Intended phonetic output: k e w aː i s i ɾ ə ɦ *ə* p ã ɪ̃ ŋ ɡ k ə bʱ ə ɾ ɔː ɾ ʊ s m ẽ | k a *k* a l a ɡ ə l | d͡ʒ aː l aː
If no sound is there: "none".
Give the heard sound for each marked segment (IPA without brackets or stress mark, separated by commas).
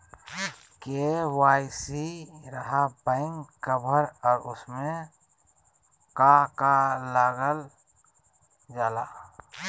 a, k